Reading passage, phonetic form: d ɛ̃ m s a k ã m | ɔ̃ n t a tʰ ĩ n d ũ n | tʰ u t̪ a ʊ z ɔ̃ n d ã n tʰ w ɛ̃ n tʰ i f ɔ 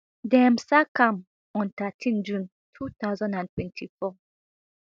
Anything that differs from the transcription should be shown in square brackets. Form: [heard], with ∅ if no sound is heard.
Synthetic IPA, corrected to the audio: d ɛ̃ m s a k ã m | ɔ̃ n t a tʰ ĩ n [d͡ʒ] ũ n | tʰ u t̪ a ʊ z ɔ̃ n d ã n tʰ w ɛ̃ n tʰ i f ɔ